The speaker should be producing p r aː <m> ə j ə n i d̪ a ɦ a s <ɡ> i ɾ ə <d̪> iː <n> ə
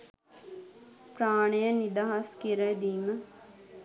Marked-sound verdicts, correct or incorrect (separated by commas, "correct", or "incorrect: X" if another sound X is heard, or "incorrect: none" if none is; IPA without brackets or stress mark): incorrect: ɳ, incorrect: k, correct, incorrect: m